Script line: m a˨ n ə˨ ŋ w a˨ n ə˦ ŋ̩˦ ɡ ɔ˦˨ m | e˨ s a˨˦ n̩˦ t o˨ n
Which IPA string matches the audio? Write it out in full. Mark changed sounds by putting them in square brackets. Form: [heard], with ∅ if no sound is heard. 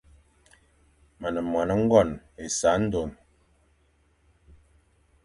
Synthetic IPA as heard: m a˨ n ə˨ [m] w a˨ n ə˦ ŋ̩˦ ɡ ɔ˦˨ [n] | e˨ s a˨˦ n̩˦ [d] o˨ n